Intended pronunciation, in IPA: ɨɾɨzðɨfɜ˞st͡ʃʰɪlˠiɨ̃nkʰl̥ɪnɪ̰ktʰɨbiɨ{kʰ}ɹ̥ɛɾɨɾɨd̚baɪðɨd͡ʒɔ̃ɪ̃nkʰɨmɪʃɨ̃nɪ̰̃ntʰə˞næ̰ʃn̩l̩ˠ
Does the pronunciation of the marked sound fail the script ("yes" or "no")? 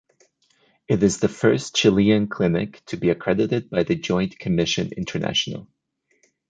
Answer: no